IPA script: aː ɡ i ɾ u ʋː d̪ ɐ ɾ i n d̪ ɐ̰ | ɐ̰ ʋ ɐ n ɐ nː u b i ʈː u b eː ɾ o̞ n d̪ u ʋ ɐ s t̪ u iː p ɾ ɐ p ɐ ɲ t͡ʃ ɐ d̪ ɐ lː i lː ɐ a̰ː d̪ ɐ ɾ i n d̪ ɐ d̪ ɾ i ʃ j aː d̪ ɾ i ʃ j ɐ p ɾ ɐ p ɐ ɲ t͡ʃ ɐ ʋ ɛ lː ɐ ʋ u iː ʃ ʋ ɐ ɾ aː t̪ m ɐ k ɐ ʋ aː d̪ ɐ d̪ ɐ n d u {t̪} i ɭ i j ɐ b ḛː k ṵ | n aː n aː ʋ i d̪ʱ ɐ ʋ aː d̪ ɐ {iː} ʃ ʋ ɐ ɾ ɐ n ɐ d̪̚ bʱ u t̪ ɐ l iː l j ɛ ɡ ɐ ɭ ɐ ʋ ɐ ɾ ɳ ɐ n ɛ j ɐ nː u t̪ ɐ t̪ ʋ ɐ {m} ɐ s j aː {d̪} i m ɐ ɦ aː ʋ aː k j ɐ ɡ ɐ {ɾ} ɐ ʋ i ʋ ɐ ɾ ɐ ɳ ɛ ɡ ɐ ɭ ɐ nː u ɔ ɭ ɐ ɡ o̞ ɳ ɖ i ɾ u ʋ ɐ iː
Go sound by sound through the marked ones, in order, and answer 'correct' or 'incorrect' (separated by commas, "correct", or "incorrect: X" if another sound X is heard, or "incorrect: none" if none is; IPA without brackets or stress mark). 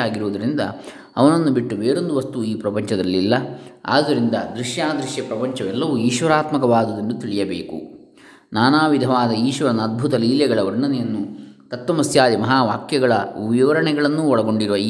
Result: correct, correct, correct, correct, incorrect: ɭ